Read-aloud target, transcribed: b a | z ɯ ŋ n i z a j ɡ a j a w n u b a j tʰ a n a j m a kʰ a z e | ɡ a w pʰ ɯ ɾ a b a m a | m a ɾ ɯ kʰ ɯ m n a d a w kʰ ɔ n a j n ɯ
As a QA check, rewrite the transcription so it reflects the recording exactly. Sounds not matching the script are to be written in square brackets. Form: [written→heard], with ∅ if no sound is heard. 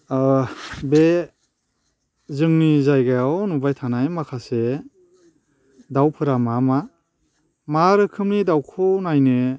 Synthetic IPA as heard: b [a→e] | z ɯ ŋ n i z a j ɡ a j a w n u b a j tʰ a n a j m a kʰ a [z→s] e | [ɡ→d] a w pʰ ɯ ɾ a [b→m] a m a | m a ɾ ɯ kʰ ɯ m n [a→i] d a w kʰ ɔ n a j n ɯ